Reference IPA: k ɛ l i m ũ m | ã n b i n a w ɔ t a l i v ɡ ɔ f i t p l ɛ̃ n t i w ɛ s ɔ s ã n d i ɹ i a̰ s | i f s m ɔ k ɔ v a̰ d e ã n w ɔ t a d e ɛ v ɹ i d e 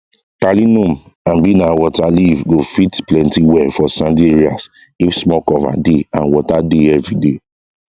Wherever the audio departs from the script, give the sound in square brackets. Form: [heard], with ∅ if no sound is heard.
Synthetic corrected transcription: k [a] l i [n] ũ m | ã n b i n a w ɔ t a l i v ɡ [o] f i t p l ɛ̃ n t i w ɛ [f] ɔ s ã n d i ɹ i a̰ s | i f s m ɔ k ɔ v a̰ d e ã n w ɔ t a d e ɛ v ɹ i d e